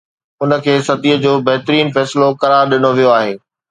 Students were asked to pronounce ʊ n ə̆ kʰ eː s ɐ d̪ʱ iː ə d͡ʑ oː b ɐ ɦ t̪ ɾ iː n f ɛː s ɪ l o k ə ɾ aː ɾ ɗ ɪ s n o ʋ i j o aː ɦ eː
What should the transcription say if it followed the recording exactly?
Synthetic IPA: ʊ n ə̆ kʰ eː s ɐ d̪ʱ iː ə d͡ʑ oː b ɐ ɦ t̪ ɾ iː n f ɛː s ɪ l o k ɐ ɾ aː ɾ ɗ ɪ n o ʋ i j o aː ɦ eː

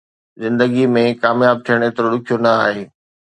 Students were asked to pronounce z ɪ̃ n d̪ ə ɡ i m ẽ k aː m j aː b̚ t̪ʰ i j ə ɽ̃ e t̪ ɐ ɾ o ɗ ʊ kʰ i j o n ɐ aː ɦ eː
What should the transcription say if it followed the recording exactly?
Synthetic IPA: z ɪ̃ n d̪ ə ɡ i m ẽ k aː m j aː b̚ t̪ʰ i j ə ɽ̃ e t̪ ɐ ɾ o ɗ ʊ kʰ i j o n ɐ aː ɦ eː

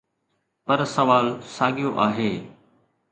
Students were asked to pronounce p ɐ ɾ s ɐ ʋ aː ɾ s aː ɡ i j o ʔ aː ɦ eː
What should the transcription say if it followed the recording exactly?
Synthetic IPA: p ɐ ɾ s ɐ ʋ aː l s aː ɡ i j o ʔ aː ɦ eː

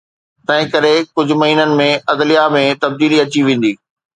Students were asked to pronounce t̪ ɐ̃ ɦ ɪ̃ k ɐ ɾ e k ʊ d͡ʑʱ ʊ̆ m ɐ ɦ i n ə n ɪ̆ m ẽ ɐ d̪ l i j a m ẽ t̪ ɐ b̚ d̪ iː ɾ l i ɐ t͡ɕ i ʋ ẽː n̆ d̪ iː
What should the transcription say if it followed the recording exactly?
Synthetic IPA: t̪ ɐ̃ ɦ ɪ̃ k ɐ ɾ e k ʊ d͡ʑʱ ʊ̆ m ɐ ɦ iː n ə n ɪ̆ m ẽ ɐ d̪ l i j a m ẽ t̪ ɐ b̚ d̪ iː l i ɐ t͡ɕ i ʋ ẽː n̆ d̪ iː

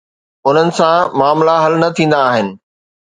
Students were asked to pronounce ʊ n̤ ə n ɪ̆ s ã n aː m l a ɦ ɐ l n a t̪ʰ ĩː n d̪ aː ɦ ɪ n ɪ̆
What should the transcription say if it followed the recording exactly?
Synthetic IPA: ʊ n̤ ə n ɪ̆ s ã m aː m l a ɦ ɐ l n ɐ t̪ʰ ĩː n d̪ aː ɦ ɪ n ɪ̆

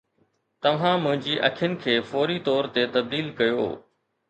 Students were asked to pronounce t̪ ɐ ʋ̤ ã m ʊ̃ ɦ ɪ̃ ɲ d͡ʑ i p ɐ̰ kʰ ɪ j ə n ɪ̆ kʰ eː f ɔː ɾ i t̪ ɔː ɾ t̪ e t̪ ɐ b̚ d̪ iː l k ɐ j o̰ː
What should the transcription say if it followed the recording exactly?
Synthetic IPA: t̪ ɐ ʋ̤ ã m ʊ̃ ɦ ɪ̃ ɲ d͡ʑ i ʔ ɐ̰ kʰ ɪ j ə n ɪ̆ kʰ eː f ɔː ɾ i t̪ ɔː ɾ t̪ e t̪ ɐ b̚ d̪ iː l k ɐ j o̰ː

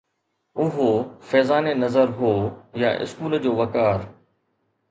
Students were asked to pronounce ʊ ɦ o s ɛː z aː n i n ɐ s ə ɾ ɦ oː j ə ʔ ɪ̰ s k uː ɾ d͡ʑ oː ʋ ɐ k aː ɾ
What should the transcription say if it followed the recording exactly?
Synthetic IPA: ʊ ɦ o f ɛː z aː n e n ɐ z ə ɾ ɦ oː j a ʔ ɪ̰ s k uː l d͡ʑ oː ʋ ɐ k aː ɾ

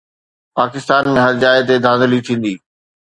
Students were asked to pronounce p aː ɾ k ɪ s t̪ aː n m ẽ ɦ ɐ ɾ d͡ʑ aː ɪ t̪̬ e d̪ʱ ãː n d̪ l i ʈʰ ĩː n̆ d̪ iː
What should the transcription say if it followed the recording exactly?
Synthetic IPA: p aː k ɪ s t̪ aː n m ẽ ɦ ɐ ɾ d͡ʑ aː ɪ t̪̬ e d̪ʱ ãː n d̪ l i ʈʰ ĩː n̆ d̪ iː

